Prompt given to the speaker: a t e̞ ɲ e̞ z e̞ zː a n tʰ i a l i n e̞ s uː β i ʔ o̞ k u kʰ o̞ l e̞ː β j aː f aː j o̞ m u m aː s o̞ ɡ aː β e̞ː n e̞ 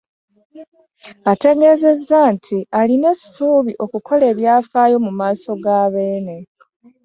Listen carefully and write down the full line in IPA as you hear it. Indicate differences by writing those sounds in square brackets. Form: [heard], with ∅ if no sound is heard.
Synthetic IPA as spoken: a t e̞ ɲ e̞ z e̞ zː a n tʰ i a l i n e̞ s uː β i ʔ o̞ k u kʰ o̞ l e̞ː β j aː f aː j o̞ m u m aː s o̞ ɡ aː β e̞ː n e̞